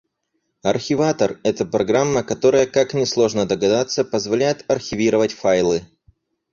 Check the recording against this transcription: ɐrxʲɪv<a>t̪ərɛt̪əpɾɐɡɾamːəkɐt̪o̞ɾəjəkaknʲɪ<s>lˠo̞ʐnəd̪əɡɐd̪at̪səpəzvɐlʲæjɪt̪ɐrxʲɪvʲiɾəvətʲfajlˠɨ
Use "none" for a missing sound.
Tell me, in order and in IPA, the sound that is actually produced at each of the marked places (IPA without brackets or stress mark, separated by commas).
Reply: a, s